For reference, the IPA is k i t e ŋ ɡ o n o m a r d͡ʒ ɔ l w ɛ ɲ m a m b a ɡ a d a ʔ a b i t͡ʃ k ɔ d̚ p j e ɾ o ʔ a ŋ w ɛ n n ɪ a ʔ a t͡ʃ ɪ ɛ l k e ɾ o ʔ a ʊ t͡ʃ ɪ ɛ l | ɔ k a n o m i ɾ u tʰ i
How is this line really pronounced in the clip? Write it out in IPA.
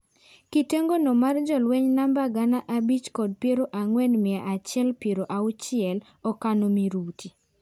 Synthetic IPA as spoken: k i t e ŋ ɡ o n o m a r d͡ʒ ɔ l w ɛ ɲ n a m b a ɡ a n a ʔ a b i t͡ʃ k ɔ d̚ p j e ɾ o ʔ a ŋ w ɛ n m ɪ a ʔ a t͡ʃ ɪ ɛ l p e ɾ o ʔ a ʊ t͡ʃ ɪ ɛ l | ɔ k a n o m i ɾ u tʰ i